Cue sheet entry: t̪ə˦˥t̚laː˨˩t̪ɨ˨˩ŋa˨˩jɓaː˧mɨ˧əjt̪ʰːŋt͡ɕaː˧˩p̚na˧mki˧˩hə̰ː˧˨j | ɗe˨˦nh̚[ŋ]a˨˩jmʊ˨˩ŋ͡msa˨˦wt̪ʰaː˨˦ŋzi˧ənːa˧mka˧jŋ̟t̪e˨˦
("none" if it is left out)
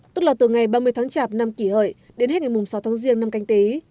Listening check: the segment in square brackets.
ŋ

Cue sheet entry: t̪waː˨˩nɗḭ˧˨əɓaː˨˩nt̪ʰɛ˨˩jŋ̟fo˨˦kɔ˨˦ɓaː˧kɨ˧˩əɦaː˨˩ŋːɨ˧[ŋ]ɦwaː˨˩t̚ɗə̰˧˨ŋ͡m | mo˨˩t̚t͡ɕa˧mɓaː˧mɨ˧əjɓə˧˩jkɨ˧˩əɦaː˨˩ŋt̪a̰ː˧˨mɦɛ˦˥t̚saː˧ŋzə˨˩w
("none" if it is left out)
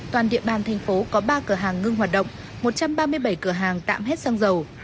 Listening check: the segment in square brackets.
ŋ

